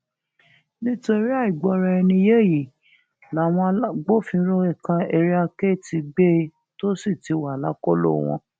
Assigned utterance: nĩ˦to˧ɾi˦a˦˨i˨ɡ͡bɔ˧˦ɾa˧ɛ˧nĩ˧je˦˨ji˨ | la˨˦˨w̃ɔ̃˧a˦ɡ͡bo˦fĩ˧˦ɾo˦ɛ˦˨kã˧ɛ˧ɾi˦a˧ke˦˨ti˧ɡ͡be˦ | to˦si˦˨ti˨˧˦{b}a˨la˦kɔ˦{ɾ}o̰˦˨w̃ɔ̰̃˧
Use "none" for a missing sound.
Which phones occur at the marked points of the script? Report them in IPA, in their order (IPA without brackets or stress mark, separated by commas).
w, l